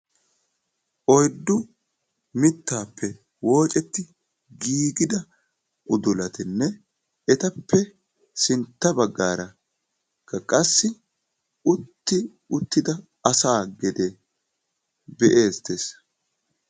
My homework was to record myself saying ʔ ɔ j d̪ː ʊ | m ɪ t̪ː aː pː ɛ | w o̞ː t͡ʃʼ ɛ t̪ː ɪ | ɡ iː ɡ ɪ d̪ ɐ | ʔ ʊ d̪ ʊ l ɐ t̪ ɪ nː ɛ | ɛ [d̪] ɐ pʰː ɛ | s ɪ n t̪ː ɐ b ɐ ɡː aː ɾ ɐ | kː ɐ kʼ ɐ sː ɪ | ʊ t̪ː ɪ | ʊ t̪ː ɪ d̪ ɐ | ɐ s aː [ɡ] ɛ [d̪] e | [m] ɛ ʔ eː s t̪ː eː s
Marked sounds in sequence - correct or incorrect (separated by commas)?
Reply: incorrect, correct, correct, incorrect